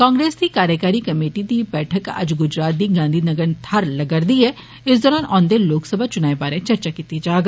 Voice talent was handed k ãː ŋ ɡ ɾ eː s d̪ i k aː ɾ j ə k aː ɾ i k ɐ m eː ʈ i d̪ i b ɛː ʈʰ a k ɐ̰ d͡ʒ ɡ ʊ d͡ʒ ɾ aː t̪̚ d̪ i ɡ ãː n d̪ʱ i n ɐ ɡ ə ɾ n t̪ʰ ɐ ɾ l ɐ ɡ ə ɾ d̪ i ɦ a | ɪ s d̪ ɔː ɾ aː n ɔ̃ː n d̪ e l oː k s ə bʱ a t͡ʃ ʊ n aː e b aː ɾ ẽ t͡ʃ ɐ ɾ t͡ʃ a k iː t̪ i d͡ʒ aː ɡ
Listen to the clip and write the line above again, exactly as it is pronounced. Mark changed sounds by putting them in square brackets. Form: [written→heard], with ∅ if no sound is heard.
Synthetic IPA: k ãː ŋ ɡ ɾ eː s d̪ i k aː ɾ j ə k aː ɾ i k ɐ m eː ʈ i d̪ i b ɛː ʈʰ [a→ə] k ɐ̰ d͡ʒ ɡ ʊ d͡ʒ ɾ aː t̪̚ d̪ i ɡ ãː n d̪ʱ i n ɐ ɡ ə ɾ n t̪ʰ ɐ ɾ l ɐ ɡ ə ɾ d̪ i ɦ [a→ɛ] | ɪ s d̪ ɔː ɾ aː n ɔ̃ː n d̪ e l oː k s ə bʱ a t͡ʃ ʊ n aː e b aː ɾ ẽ t͡ʃ ɐ ɾ t͡ʃ a k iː t̪ i d͡ʒ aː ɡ